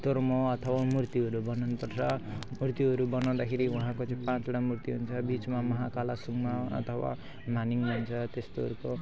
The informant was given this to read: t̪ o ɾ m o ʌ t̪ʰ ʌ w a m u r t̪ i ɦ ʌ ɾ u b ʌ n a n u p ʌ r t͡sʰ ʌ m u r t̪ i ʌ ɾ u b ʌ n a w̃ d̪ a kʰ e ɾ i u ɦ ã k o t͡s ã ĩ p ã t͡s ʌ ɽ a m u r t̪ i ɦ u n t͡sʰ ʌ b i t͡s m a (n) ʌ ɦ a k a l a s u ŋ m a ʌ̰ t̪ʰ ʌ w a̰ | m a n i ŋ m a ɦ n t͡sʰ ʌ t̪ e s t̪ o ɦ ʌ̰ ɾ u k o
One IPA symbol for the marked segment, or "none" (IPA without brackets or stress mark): m